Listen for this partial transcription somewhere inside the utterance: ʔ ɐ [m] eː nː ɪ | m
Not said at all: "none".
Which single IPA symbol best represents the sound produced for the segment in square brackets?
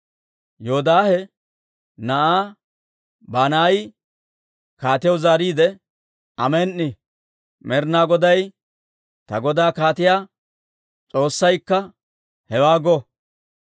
m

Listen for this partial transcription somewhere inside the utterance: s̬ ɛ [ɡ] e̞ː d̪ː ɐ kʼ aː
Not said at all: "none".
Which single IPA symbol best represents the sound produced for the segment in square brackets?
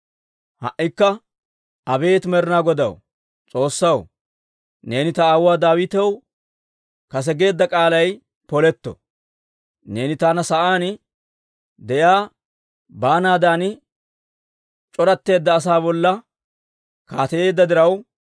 ɡ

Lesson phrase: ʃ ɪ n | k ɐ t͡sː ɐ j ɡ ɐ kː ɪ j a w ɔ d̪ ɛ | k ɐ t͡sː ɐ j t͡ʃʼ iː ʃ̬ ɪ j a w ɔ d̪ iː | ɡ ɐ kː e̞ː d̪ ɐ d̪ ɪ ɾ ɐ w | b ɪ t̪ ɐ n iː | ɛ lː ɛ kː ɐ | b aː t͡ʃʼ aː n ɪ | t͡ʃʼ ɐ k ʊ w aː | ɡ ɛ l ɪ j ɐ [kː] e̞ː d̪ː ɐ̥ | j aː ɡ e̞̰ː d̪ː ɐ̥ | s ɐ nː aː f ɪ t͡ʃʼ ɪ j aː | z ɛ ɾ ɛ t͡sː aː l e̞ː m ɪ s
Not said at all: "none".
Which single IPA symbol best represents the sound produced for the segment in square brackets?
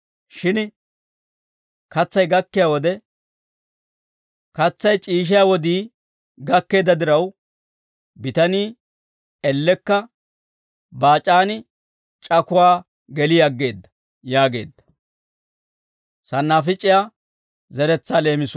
ɡː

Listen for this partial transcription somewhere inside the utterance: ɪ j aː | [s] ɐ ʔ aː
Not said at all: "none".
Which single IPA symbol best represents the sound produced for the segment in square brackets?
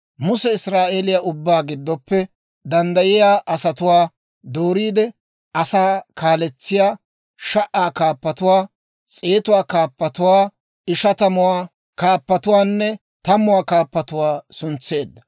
ʃ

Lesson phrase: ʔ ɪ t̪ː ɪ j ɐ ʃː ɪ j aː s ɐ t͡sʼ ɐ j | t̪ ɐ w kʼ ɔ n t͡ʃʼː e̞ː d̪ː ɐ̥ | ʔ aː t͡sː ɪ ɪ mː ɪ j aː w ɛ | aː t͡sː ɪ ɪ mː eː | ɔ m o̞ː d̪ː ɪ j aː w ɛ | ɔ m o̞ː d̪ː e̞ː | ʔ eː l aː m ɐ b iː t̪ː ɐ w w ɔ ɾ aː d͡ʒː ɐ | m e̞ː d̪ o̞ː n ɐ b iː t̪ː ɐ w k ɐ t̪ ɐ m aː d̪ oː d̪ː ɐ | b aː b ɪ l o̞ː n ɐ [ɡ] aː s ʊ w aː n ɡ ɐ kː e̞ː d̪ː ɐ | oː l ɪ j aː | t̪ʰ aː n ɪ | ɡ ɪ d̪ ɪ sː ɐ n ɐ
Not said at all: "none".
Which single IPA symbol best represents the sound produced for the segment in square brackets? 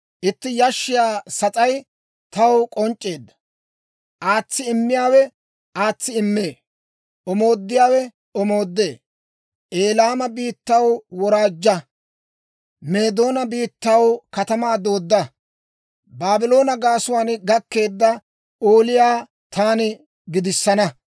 ɡ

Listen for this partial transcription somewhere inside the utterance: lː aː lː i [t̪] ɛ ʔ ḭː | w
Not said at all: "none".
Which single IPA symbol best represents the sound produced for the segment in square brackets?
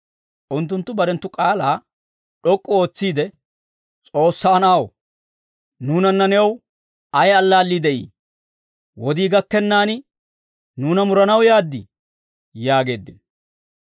d̪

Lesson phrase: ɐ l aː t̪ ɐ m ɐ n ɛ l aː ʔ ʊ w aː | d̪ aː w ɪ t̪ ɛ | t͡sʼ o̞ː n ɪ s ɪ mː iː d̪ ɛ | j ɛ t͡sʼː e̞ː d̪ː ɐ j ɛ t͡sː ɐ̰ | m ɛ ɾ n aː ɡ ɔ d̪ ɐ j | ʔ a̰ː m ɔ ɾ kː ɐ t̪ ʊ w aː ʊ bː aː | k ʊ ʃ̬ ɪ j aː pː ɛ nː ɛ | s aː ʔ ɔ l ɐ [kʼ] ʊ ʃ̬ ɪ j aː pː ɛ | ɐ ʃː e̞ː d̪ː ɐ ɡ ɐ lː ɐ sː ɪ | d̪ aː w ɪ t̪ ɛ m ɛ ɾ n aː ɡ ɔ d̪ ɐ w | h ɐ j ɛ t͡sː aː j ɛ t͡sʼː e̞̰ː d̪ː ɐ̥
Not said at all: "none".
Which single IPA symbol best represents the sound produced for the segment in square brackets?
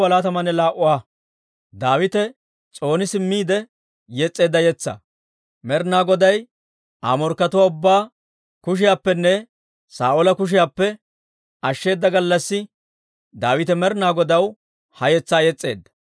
k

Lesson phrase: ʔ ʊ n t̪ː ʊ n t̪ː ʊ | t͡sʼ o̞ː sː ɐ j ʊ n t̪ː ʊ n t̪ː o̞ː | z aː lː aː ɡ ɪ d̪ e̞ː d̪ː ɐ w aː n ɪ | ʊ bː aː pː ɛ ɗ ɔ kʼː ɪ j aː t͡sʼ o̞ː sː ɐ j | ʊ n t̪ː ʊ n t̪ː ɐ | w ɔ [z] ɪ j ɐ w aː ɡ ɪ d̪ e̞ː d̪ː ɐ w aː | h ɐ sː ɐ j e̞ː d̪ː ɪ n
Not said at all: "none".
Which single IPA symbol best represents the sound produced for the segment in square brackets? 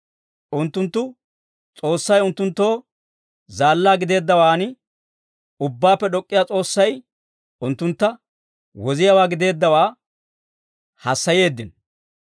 z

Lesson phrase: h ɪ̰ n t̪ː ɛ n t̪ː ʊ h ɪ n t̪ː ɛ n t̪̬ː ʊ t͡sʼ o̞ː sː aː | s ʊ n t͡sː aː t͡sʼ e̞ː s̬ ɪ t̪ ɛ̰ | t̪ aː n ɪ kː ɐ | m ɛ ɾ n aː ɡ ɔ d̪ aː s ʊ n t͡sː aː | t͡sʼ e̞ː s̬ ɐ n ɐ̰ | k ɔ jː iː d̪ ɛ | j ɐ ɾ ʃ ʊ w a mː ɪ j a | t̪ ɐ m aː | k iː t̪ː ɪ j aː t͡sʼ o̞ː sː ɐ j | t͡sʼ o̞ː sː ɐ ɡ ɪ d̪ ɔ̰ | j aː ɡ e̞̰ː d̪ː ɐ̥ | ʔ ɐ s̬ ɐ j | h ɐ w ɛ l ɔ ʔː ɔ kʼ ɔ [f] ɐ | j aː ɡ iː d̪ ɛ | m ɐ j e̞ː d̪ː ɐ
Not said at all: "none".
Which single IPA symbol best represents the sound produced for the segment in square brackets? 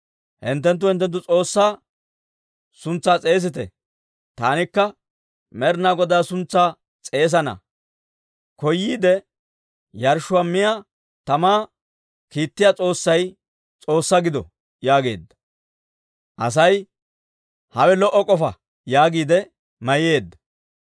f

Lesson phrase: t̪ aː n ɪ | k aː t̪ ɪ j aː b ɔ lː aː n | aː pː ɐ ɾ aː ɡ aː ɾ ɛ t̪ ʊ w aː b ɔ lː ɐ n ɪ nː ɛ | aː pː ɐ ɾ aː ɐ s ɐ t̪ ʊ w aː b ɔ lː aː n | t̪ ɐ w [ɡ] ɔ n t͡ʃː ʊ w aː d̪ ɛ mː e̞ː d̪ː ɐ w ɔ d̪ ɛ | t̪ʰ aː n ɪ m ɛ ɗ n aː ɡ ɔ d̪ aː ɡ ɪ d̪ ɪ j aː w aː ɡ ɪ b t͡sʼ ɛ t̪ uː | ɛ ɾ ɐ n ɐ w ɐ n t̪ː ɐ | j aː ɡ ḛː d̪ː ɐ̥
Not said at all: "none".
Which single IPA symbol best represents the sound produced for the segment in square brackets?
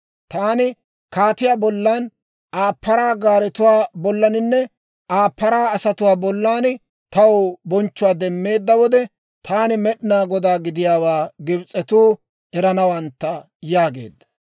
b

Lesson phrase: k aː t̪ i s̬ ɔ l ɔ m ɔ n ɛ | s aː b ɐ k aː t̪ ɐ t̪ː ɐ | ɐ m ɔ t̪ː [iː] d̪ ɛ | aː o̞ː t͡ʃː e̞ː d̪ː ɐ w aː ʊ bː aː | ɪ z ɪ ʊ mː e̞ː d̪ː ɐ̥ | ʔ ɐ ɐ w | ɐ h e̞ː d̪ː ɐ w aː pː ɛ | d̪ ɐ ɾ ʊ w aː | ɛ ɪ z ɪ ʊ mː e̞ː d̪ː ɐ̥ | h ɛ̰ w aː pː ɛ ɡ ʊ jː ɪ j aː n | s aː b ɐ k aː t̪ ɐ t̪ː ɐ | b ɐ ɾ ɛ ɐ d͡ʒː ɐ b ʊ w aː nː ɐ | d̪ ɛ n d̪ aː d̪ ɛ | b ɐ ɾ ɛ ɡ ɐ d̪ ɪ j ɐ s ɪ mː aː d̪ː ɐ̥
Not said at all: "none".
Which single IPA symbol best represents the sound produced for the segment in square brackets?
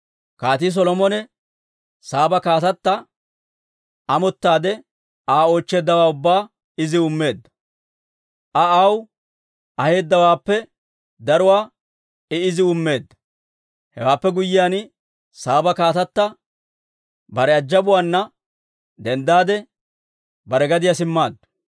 aː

